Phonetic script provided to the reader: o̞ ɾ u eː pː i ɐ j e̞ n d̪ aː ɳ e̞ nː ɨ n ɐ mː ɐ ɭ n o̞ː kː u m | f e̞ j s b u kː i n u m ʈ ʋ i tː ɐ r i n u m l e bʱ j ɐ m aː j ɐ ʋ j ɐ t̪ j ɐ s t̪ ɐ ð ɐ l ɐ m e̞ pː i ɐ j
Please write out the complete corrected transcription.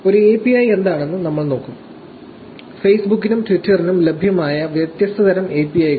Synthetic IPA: o̞ ɾ u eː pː i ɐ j e̞ n d̪ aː ɳ e̞ nː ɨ n ɐ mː ɐ ɭ n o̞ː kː u m | f e̞ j s b u kː i n u m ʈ ʋ i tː ɐ r i n u m l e bʱ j ɐ m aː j ɐ ʋ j ɐ t̪ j ɐ s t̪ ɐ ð ɐ ɾ ɐ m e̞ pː i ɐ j